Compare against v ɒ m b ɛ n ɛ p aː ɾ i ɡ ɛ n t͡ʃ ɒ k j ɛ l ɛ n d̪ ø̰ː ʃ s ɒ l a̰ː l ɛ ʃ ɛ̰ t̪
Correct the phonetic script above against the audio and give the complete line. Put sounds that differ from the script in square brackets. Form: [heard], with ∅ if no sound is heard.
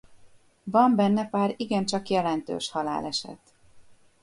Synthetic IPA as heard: v ɒ m b ɛ [nː] ɛ p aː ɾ i ɡ ɛ n t͡ʃ ɒ k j ɛ l ɛ n [t̪] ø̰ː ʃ [h] ɒ l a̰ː l ɛ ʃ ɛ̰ t̪